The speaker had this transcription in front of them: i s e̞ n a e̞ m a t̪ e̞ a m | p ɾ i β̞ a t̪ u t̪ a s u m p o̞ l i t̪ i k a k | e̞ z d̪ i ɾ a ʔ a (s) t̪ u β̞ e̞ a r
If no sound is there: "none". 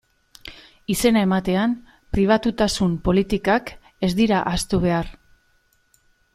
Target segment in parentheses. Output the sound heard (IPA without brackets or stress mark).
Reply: s